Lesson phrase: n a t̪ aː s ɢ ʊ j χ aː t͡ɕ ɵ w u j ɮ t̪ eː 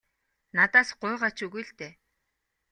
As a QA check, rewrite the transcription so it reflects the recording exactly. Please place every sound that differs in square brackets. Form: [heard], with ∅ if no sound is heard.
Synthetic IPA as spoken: n a t̪ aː s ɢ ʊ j [ʁ] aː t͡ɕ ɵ [ɣ] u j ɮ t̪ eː